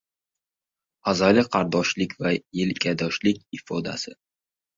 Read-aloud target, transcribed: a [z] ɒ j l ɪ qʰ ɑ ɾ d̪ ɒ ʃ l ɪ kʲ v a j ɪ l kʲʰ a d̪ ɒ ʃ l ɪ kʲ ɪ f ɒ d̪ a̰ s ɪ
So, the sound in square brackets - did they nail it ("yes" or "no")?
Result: yes